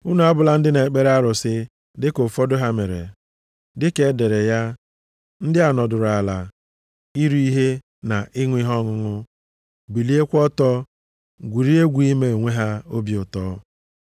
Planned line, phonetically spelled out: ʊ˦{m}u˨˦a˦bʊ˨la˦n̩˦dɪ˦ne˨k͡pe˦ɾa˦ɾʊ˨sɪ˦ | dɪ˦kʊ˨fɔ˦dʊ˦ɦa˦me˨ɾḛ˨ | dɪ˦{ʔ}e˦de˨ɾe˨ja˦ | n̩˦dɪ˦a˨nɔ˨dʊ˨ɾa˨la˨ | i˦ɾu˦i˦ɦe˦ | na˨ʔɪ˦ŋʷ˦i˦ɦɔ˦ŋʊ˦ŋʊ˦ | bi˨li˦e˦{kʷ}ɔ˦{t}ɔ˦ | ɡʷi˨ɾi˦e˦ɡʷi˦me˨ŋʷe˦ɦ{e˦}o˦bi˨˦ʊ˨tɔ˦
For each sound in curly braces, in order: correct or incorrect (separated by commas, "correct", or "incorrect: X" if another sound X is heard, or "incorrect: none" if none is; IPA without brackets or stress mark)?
incorrect: n, incorrect: k, correct, correct, incorrect: a˦